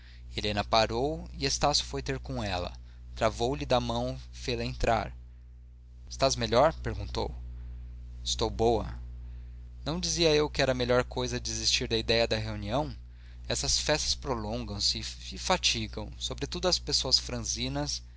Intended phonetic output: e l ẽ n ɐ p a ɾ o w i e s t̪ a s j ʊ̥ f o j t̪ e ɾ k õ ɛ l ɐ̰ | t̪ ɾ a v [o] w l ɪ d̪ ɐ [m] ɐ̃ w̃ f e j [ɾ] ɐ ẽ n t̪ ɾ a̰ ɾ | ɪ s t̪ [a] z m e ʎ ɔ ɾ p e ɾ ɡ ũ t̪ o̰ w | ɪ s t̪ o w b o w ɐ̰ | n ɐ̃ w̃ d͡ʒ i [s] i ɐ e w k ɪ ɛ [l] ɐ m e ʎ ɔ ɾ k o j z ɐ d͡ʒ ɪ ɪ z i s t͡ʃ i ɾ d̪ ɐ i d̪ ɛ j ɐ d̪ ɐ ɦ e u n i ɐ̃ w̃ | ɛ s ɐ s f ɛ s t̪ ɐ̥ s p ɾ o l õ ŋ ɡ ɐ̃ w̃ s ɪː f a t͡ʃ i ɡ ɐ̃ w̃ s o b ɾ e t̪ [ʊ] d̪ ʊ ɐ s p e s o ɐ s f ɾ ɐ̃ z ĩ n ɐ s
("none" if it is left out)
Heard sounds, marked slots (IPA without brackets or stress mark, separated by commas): o, m, l, a, z, ɾ, u